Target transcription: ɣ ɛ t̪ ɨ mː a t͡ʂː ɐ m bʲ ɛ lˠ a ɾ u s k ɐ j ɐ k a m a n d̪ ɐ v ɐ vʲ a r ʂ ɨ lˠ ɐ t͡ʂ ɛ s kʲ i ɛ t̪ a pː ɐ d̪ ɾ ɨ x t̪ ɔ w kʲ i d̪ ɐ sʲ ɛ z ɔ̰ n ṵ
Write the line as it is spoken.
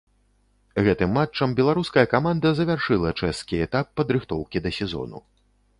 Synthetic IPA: ɣ ɛ t̪ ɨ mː a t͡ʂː ɐ m bʲ ɛ lˠ a ɾ u s k ɐ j ɐ k a m a n d̪ ɐ z ɐ vʲ a r ʂ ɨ lˠ ɐ t͡ʂ ɛ s kʲ i ɛ t̪ a pː ɐ d̪ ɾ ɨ x t̪ ɔ w kʲ i d̪ ɐ sʲ ɛ z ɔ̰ n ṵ

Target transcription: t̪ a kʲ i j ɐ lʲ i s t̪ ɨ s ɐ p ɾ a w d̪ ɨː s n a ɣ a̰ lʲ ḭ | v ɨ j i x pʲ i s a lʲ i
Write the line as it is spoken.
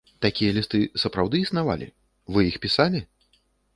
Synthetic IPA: t̪ a kʲ i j ɐ lʲ i s t̪ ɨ s ɐ p ɾ a w d̪ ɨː s n a v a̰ lʲ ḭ | v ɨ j i x pʲ i s a lʲ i

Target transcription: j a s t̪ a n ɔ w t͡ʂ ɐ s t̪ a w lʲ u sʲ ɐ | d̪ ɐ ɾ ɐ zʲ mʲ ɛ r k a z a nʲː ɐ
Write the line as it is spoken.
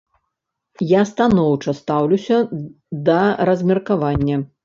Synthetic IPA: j a s t̪ a n ɔ w t͡ʂ ɐ s t̪ a w lʲ u sʲ ɐ | d̪ ɐ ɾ ɐ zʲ mʲ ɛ r k a v a nʲː ɐ

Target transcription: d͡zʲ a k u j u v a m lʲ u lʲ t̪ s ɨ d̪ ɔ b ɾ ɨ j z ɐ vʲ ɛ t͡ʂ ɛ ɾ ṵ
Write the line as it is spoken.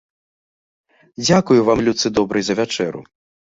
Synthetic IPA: d͡zʲ a k u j u v a m lʲ u t̪ s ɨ d̪ ɔ b ɾ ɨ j z ɐ vʲ a t͡ʂ ɛ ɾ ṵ

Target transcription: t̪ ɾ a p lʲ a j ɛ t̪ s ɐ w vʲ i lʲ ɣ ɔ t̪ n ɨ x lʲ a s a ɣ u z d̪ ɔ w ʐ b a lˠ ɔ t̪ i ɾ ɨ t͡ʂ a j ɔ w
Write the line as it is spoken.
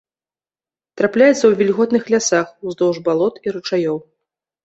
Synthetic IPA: t̪ ɾ a p lʲ a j ɛ t̪ s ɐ w vʲ i lʲ ɣ ɔ t̪ n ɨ x lʲ a s a x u z d̪ ɔ w ʐ b a lˠ ɔ t̪ i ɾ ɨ t͡ʂ a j ɔ w

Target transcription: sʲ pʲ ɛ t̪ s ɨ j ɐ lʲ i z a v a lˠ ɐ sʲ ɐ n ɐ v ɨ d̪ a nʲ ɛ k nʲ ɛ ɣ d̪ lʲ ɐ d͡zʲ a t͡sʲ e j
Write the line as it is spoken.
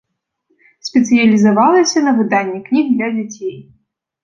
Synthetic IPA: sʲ pʲ ɛ t̪ s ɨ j ɐ lʲ i z a v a lˠ ɐ sʲ ɐ n ɐ v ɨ d̪ a nʲː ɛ k nʲ i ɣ d̪ lʲ ɐ d͡zʲ a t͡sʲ e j

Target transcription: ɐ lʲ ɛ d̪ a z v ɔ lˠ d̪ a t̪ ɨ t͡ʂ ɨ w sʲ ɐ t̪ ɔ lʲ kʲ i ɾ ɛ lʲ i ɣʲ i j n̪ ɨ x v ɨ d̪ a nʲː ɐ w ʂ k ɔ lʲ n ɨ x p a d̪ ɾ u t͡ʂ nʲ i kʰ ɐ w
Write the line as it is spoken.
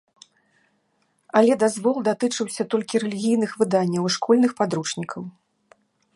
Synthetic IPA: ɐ lʲ ɛ d̪ a z v ɔ lˠ d̪ a t̪ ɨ t͡ʂ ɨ w sʲ ɐ t̪ ɔ lʲ kʲ i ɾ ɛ lʲ i ɣʲ i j n̪ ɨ x v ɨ d̪ a nʲː ɐ w ʂ k ɔ lʲ n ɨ x p a d̪ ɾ u t͡ʂ nʲ i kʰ ɐ w

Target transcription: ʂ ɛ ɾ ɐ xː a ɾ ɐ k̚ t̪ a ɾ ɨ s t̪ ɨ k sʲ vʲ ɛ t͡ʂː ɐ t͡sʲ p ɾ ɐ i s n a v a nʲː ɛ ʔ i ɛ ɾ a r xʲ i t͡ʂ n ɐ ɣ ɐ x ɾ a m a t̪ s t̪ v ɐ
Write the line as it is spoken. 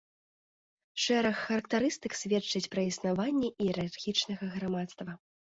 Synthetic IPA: ʂ ɛ ɾ ɐ xː ɐ ɾ ɐ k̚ t̪ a ɾ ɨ s t̪ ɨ k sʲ vʲ ɛ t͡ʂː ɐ t͡sʲ p ɾ ɐ i s n a v a nʲː ɛ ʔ i ɛ ɾ a r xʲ i t͡ʂ n ɐ ɣ ɐ ɣ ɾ a m a t̪ s t̪ v ɐ

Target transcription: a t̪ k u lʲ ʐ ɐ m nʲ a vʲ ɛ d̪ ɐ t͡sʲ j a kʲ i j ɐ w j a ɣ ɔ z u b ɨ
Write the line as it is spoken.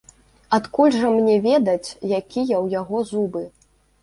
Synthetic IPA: a t̪ k u lʲ ʐ ɐ m nʲ ɛ vʲ ɛ d̪ ɐ t͡sʲ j a kʲ i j ɐ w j a ɣ ɔ z u b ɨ

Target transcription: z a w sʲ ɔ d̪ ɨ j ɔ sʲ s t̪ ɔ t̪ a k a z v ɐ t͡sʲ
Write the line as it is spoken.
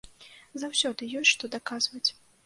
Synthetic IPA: z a w sʲ ɔ d̪ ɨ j ɔ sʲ ʂ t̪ ɔ d̪ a k a z v ɐ t͡sʲ

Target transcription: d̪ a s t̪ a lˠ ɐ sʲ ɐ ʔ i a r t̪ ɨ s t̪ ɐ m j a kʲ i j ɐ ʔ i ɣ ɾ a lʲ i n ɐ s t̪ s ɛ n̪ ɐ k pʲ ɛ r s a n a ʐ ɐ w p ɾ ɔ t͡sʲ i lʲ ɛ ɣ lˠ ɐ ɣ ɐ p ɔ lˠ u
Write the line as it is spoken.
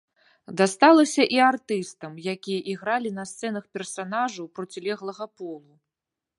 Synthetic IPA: d̪ a s t̪ a lˠ ɐ sʲ ɐ ʔ i a r t̪ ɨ s t̪ ɐ m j a kʲ i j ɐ ʔ i ɣ ɾ a lʲ i n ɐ s t̪ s ɛ n̪ ɐ x pʲ ɛ r s a n a ʐ ɐ w p ɾ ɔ t͡sʲ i lʲ ɛ ɣ lˠ ɐ ɣ ɐ p ɔ lˠ u

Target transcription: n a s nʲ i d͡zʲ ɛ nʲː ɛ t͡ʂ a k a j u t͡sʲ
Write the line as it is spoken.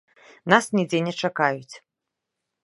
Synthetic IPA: n a s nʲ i d͡zʲ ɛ nʲ ɛ t͡ʂ a k a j u t͡sʲ

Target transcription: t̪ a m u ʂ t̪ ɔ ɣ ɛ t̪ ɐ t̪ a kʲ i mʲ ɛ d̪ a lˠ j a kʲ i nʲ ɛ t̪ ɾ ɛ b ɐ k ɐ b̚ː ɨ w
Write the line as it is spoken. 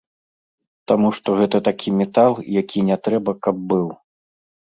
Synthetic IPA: t̪ a m u ʂ t̪ ɔ ɣ ɛ t̪ ɐ t̪ a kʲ i mʲ ɛ t̪ a lˠ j a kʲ i nʲ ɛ t̪ ɾ ɛ b ɐ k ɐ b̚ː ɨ w

